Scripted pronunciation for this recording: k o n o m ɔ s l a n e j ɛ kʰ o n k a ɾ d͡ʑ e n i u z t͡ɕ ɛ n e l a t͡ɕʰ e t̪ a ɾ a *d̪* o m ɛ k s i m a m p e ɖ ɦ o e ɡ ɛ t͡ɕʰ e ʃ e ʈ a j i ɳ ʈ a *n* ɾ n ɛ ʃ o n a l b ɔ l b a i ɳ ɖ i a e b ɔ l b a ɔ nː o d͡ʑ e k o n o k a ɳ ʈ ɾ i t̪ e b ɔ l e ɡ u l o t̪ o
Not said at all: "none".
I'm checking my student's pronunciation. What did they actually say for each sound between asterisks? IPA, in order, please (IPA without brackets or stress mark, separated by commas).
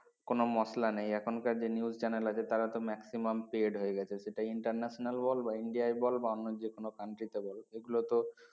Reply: t̪, none